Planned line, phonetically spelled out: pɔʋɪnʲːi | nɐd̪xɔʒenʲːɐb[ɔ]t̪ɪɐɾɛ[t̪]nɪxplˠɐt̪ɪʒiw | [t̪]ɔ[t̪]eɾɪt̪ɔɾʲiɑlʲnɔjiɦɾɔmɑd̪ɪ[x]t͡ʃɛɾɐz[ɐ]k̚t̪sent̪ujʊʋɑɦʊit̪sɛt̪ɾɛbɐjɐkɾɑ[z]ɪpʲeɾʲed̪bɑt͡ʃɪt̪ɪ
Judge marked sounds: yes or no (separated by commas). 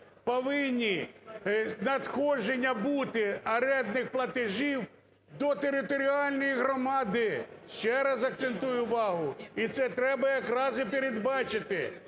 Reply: no, no, no, yes, no, yes, yes